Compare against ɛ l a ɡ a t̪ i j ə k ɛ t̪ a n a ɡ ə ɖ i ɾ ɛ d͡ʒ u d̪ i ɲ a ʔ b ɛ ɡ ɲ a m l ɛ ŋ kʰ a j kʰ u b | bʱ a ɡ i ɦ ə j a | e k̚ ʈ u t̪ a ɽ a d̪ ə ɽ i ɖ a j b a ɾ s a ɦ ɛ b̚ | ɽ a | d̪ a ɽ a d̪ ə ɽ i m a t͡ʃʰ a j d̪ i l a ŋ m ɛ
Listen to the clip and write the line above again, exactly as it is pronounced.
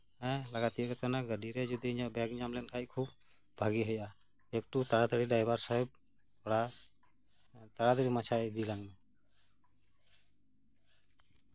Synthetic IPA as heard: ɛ l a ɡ a t̪ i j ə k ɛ t̪ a n a ɡ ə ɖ i ɾ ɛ d͡ʒ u d̪ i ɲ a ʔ b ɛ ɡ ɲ a m l ɛ n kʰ a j kʰ u b | bʱ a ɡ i ɦ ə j a | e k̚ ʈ u t̪ a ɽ a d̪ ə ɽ i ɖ a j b a ɾ s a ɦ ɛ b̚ | ɽ a | t̪ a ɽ a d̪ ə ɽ i m a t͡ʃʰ a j d̪ i l a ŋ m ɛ

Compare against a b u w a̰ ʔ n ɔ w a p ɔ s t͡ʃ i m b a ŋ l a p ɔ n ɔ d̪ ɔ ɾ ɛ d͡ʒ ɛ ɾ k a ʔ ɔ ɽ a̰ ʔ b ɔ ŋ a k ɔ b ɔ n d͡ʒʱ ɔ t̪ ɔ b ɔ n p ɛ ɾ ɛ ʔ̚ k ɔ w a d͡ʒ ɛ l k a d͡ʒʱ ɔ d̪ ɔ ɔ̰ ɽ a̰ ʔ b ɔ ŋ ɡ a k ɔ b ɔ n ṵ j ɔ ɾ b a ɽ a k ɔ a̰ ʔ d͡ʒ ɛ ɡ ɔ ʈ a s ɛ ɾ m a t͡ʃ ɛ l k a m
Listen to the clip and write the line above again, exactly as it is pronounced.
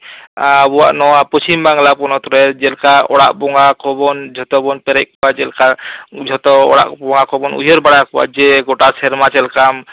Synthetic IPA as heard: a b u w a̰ ʔ n ɔ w a p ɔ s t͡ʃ i m b a ŋ l a p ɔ n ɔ t̪ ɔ ɾ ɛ d͡ʒ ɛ l k a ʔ ɔ ɽ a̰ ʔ b ɔ ŋ a k ɔ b ɔ n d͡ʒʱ ɔ t̪ ɔ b ɔ n p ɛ ɾ ɛ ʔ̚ k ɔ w a d͡ʒ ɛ l k a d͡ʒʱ ɔ t̪ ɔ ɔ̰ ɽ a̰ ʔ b ɔ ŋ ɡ a k ɔ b ɔ n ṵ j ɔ ɾ b a ɽ a k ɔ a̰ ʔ d͡ʒ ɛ ɡ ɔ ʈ a s ɛ ɾ m a t͡ʃ ɛ l k a m

